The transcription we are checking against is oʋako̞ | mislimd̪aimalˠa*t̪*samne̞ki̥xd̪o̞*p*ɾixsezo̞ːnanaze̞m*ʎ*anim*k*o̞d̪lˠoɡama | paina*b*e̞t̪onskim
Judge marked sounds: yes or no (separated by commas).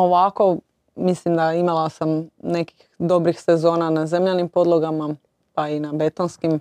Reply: no, no, yes, no, yes